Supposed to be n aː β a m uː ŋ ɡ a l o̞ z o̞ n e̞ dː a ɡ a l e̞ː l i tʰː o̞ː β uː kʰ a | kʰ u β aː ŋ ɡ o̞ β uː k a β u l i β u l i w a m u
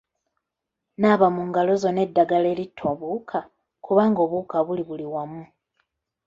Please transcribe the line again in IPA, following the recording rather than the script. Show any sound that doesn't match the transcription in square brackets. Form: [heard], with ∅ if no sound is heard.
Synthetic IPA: n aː β a m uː ŋ ɡ a l o̞ z o̞ n e̞ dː a ɡ a l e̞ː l i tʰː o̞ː β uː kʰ a | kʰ u β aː ŋ ɡ o̞ β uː k a β u l i β u l i w a m u